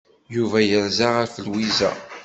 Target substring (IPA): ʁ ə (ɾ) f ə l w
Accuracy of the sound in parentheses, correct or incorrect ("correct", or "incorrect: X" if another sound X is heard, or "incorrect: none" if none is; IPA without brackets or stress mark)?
correct